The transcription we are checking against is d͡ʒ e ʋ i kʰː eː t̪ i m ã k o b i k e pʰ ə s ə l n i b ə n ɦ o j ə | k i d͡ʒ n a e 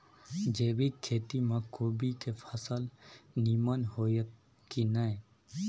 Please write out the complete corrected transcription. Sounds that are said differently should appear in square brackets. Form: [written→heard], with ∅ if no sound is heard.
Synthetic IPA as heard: d͡ʒ e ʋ i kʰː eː t̪ i m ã k o b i k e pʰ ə s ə l n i [b→m] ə n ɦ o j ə | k i [d͡ʒ→∅] n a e